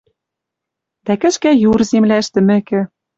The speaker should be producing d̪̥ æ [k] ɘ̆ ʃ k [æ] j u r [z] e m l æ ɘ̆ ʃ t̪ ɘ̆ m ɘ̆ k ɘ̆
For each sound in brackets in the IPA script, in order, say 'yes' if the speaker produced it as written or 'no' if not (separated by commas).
yes, yes, yes